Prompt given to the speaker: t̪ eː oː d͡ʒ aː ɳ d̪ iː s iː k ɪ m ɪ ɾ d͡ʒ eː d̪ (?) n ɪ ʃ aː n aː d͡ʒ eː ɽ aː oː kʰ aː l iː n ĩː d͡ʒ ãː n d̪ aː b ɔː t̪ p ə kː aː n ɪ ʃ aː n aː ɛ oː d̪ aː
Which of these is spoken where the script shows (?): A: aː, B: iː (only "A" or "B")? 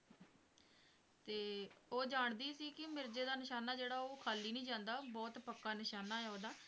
A